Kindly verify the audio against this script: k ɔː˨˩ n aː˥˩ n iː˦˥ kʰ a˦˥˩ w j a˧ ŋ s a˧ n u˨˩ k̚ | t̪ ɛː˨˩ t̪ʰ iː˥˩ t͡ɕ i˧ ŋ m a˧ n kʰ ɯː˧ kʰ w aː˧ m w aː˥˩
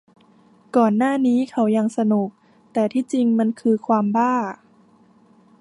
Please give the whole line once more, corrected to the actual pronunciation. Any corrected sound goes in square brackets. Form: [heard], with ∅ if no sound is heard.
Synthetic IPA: k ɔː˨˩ [nː] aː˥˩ n iː˦˥ kʰ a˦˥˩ w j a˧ ŋ s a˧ n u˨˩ k̚ | t̪ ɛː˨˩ t̪ʰ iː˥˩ t͡ɕ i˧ ŋ m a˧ n kʰ ɯː˧ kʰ w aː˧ m [b] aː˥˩